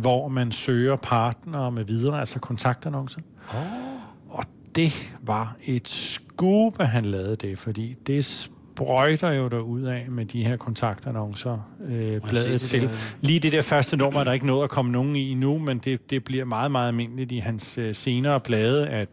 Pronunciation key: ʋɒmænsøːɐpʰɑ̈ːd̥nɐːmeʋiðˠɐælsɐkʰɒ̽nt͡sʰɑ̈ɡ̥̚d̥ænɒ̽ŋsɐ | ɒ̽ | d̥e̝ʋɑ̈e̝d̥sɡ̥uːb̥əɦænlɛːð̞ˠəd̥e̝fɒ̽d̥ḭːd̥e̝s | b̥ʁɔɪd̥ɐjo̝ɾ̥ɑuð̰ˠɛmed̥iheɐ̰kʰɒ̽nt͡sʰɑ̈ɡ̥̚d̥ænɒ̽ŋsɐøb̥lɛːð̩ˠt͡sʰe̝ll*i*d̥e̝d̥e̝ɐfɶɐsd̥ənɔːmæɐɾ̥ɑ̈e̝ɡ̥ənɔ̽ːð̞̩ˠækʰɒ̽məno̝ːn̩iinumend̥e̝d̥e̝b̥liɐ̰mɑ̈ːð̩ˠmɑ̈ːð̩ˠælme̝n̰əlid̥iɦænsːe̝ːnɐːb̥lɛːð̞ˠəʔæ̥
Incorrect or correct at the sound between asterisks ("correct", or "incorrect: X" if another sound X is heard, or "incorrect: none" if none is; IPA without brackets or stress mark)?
incorrect: iː